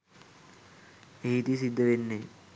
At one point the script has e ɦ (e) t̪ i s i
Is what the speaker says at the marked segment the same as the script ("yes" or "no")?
no